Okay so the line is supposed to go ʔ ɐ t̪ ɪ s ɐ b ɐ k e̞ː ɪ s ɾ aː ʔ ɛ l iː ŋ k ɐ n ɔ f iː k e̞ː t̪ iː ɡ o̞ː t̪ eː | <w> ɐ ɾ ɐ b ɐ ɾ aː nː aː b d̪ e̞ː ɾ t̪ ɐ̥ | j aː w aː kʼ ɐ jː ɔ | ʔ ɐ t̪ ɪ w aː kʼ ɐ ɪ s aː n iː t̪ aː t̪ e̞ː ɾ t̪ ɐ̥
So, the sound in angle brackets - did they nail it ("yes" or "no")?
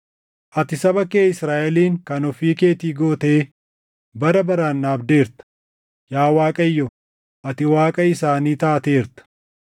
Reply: no